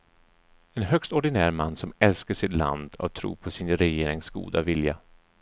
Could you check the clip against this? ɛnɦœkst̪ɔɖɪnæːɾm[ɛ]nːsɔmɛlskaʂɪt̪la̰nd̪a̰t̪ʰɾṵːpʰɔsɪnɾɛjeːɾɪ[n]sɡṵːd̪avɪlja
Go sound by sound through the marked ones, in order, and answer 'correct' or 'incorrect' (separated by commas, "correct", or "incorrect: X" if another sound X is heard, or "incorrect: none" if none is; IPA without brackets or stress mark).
incorrect: a, incorrect: ŋ